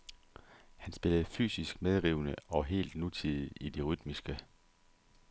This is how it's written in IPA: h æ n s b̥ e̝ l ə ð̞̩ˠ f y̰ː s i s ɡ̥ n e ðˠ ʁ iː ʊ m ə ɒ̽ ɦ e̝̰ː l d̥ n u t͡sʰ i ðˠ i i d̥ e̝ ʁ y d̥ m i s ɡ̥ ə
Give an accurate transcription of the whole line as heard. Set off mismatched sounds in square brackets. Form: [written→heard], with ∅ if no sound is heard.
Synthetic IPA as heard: h æ n s b̥ e̝ l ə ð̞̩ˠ f y̰ː s i s ɡ̥ [n→m] e ðˠ ʁ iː ʊ [m→n] ə ɒ̽ ɦ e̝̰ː l d̥ n u t͡sʰ i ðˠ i i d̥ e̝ ʁ y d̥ m i s ɡ̥ ə